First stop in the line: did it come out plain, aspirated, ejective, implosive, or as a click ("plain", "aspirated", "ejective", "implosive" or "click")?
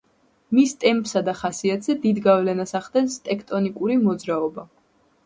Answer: ejective